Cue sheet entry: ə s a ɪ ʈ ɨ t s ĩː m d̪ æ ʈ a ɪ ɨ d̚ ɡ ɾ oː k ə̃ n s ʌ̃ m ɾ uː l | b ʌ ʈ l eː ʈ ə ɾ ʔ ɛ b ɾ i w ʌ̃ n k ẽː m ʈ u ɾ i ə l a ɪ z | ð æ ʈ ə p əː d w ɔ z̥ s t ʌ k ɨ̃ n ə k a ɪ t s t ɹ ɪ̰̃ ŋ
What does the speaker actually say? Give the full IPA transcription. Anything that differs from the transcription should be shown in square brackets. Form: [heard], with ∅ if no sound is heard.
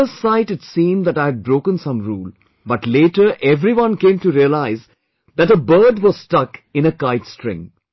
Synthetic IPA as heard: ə s a ɪ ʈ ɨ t s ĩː m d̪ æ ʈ a ɪ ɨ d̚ [b] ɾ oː k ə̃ n s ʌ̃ m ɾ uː l | b ʌ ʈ l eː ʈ ə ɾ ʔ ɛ [v] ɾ i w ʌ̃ n k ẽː m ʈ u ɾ i ə l a ɪ z | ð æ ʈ ə [b] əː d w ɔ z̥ s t ʌ k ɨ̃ n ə k a ɪ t s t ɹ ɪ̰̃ ŋ